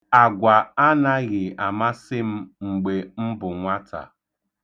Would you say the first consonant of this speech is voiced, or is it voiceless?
voiced